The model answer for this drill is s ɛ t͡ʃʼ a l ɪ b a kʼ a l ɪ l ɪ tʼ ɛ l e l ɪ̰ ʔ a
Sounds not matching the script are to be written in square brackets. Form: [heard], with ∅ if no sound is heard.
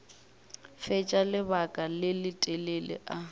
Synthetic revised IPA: [f] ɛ t͡ʃʼ a l ɪ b a kʼ a l ɪ l ɪ tʼ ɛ l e l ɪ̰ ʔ a